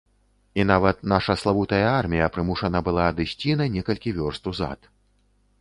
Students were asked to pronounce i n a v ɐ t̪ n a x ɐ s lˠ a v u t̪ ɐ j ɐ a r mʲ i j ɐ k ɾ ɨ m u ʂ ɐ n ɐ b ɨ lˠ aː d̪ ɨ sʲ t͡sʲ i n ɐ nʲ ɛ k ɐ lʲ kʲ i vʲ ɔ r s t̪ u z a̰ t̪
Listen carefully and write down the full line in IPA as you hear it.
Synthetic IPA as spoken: i n a v ɐ t̪ n a ʂ ɐ s lˠ a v u t̪ ɐ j ɐ a r mʲ i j ɐ p ɾ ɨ m u ʂ ɐ n ɐ b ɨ lˠ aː d̪ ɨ sʲ t͡sʲ i n ɐ nʲ ɛ k ɐ lʲ kʲ i vʲ ɔ r s t̪ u z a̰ t̪